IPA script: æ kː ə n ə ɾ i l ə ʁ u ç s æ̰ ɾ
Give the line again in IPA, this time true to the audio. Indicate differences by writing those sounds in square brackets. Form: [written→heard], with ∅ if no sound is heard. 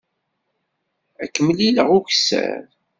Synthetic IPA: æ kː ə [n→m] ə [ɾ→l] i l ə ʁ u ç s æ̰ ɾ